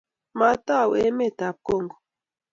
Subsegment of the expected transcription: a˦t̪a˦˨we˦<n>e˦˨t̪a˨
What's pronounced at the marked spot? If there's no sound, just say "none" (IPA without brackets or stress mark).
m